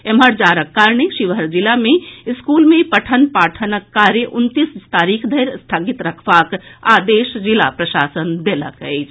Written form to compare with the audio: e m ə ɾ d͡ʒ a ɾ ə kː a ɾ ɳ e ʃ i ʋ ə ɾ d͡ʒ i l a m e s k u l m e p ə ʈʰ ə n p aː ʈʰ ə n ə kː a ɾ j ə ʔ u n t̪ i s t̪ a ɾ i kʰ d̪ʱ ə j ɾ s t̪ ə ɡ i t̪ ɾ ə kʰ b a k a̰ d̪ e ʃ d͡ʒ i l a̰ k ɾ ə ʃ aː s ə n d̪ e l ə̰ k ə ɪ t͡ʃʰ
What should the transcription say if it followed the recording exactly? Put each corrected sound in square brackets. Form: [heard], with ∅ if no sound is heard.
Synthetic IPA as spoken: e m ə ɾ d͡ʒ a ɾ ə kː a ɾ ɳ e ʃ i ʋ ə ɾ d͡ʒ i l a m e s k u l m e p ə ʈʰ ə n p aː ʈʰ ə n ə kː a ɾ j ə ʔ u n t̪ i s t̪ a ɾ i kʰ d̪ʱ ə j ɾ s [t̪ʰ] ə ɡ i t̪ ɾ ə kʰ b a k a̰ d̪ e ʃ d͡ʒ i l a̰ [p] ɾ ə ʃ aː s ə n d̪ e l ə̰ k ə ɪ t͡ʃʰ